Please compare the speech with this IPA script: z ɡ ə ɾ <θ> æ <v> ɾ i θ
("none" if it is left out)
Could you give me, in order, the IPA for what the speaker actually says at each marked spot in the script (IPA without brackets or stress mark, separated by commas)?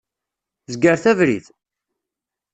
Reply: θ, v